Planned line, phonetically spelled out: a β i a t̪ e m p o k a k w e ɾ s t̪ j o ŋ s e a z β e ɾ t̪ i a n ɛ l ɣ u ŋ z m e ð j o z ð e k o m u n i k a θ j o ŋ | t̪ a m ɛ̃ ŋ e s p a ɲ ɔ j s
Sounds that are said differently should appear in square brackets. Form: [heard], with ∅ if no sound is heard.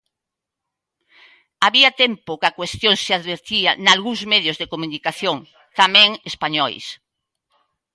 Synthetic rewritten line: a β i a t̪ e m p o k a k w e [∅] s t̪ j o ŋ s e a [ð] β e ɾ t̪ i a n [a] l ɣ u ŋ z m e ð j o z ð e k o m u n i k a θ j o ŋ | t̪ a m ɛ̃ ŋ e s p a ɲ ɔ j s